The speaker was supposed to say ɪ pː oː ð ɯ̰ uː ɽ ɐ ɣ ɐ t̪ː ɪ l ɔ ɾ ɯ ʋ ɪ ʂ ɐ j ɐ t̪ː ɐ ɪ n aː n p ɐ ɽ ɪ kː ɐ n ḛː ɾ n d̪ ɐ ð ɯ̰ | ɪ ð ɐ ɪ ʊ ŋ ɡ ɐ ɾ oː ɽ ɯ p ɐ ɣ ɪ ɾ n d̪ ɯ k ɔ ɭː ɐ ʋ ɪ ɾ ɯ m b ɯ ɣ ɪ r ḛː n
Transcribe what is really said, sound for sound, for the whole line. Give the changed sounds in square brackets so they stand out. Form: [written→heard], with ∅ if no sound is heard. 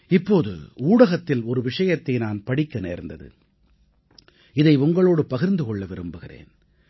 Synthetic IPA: ɪ pː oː ð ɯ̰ uː ɽ ɐ ɣ ɐ t̪ː ɪ l ɔ ɾ ɯ ʋ ɪ ʂ ɐ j ɐ t̪ː ɐ ɪ n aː n p ɐ ɽ ɪ kː ɐ n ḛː ɾ n d̪ ɐ ð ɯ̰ | ɪ ð ɐ ɪ ʊ ŋ ɡ ɐ [ɾ→ɭ] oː ɽ ɯ p ɐ ɣ ɪ ɾ n d̪ ɯ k ɔ ɭː ɐ ʋ ɪ ɾ ɯ m b ɯ ɣ ɪ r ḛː n